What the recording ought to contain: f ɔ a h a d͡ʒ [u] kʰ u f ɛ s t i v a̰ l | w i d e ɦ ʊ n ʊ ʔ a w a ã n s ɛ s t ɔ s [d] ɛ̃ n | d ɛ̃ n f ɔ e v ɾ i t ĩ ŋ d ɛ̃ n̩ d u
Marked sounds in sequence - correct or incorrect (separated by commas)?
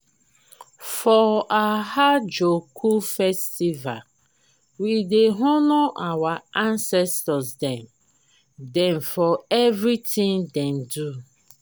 incorrect, correct